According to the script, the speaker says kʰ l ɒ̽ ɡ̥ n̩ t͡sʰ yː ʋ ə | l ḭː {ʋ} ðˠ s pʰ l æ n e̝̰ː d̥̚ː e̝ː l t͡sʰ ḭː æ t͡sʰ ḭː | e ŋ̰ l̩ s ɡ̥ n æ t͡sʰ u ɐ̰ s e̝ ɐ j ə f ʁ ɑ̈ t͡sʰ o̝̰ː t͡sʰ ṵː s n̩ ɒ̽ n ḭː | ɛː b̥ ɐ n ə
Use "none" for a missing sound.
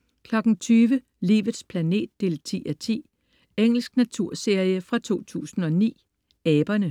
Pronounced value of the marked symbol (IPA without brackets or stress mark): ʋ